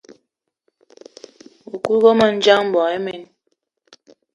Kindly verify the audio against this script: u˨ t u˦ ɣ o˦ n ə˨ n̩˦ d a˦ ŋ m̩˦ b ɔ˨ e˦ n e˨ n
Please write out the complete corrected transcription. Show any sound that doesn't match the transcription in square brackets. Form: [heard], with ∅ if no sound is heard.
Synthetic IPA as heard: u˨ [k] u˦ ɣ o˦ [m] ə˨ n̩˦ [d͡ʒ] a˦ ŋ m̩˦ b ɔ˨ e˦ [m] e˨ n